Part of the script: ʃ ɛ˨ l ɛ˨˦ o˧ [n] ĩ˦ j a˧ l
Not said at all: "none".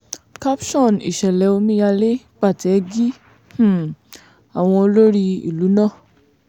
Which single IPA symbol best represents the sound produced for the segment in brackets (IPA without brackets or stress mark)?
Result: m